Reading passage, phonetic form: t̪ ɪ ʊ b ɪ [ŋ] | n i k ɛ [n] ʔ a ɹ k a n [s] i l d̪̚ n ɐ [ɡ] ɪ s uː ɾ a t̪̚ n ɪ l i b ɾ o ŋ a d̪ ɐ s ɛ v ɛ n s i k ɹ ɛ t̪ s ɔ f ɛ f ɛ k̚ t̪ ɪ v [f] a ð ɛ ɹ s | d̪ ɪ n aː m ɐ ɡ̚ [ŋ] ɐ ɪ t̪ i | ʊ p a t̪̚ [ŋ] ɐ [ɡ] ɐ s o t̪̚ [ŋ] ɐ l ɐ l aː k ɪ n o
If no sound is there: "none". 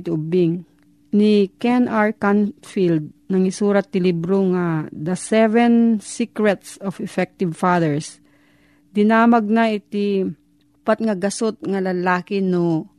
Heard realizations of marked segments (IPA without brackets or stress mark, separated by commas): ŋ, n, f, ŋ, f, n, ŋ, ɡ, ŋ